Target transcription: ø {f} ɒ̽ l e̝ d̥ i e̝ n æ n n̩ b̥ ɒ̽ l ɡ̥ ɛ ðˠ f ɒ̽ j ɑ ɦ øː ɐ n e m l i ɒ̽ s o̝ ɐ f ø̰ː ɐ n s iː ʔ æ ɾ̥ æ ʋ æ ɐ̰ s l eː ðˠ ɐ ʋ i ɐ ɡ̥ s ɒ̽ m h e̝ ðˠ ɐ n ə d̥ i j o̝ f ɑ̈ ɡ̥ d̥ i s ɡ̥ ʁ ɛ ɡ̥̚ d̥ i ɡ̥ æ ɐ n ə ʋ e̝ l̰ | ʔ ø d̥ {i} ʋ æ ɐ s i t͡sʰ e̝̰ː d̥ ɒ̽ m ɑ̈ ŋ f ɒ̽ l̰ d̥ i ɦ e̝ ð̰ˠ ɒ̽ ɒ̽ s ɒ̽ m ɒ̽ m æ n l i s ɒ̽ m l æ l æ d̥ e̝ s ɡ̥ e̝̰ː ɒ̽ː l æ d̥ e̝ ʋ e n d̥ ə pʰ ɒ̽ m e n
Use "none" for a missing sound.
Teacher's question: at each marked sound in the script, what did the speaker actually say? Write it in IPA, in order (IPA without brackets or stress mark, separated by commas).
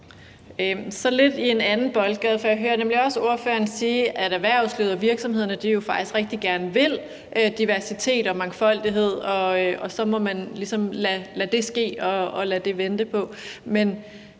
s, i